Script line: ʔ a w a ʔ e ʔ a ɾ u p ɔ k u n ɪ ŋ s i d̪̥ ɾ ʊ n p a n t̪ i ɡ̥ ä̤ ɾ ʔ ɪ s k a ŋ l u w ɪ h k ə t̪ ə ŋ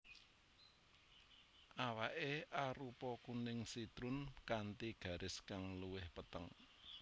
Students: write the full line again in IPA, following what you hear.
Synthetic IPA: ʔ a w a ʔ e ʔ a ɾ u p ɔ k u n ɪ ŋ s i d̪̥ ɾ ʊ n k a n t̪ i ɡ̥ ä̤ ɾ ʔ ɪ s k a ŋ l u w ɪ h p ə t̪ ə ŋ